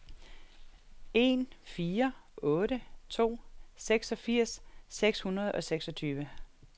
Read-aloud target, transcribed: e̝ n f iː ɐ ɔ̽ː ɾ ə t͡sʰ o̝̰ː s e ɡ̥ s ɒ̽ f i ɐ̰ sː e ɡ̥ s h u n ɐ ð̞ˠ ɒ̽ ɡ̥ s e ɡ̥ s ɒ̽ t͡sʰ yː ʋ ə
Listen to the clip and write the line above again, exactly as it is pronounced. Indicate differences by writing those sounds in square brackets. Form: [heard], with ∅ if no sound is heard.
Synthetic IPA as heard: e̝ n f iː ɐ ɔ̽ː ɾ ə t͡sʰ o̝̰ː s e ɡ̥ s ɒ̽ f i ɐ̰ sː e ɡ̥ s h u n ɐ ð̞ˠ ɒ̽ [∅] s e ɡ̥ s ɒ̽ t͡sʰ yː ʋ ə

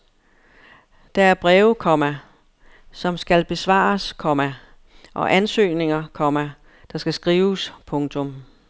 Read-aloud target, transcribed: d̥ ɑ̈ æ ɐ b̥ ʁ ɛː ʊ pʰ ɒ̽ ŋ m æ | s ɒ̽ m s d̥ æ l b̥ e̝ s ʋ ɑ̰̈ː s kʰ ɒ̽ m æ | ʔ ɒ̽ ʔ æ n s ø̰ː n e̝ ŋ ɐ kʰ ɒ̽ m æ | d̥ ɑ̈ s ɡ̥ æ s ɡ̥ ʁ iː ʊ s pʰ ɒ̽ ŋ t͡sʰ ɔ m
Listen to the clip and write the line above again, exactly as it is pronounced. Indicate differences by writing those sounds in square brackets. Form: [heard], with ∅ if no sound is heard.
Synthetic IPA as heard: d̥ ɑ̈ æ ɐ b̥ ʁ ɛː ʊ [kʰ] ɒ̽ [∅] m æ | s ɒ̽ m s [ɡ̥] æ l b̥ e̝ s ʋ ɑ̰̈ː s kʰ ɒ̽ m æ | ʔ ɒ̽ ʔ æ n s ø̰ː n e̝ ŋ ɐ kʰ ɒ̽ m æ | d̥ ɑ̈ s ɡ̥ æ s ɡ̥ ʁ iː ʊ s pʰ [ɔ̽] ŋ t͡sʰ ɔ m

